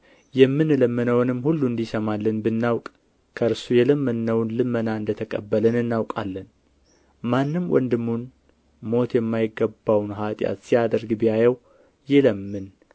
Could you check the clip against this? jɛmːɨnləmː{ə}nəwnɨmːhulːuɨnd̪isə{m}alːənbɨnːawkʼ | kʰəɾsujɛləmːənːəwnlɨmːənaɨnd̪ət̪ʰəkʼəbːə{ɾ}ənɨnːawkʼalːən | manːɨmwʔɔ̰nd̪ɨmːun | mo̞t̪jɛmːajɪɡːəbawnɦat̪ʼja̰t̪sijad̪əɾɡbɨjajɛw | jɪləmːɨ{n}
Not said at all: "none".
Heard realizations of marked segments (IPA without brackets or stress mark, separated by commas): ə, m, l, n